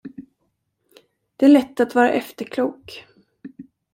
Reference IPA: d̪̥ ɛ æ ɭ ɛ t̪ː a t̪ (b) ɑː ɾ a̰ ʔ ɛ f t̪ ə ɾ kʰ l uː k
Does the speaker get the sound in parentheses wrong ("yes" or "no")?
yes